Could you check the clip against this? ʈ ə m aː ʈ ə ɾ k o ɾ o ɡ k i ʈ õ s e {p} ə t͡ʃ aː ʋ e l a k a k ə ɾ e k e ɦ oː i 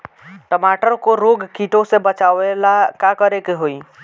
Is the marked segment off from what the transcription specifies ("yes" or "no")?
yes